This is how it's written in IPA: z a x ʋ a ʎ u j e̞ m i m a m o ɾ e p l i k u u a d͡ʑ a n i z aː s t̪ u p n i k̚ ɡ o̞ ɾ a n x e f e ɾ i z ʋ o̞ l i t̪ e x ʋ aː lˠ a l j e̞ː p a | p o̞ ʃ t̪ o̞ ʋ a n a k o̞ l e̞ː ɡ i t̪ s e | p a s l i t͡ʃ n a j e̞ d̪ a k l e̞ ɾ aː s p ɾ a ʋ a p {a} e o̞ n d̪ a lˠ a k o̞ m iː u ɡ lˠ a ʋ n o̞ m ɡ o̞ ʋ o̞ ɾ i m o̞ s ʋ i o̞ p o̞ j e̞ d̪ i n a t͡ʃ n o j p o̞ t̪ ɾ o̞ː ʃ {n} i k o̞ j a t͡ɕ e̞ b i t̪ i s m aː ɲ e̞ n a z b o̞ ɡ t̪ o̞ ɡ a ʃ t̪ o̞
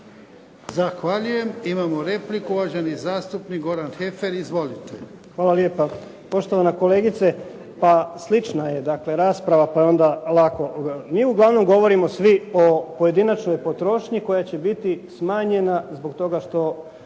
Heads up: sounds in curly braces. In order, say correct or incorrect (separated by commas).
correct, incorrect